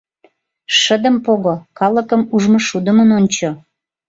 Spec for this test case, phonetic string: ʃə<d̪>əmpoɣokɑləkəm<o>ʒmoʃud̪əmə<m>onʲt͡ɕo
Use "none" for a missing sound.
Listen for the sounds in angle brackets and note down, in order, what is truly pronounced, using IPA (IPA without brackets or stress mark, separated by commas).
d̪, u, n